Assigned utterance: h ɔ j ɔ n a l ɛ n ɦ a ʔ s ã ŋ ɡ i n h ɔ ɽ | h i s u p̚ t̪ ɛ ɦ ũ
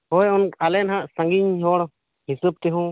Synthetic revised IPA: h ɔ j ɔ n a l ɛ n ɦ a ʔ s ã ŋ ɡ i ɲ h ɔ ɽ | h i s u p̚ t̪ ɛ ɦ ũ